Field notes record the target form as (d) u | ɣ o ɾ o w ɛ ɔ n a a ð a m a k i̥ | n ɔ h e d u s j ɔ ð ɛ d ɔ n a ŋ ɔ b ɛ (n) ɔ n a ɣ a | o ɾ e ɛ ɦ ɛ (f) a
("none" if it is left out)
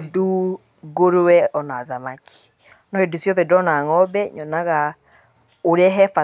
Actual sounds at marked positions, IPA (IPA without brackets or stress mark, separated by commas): d, ɲ, f